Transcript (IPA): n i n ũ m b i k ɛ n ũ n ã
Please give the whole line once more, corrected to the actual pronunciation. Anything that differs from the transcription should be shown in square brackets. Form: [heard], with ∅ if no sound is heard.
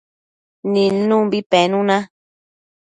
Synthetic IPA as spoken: n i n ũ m b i [p] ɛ n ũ n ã